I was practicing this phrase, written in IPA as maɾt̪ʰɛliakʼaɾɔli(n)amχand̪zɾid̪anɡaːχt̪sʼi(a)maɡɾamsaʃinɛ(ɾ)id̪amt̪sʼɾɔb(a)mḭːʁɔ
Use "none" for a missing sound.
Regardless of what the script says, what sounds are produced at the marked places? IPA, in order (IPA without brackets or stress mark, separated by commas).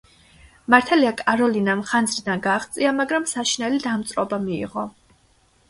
n, a, l, a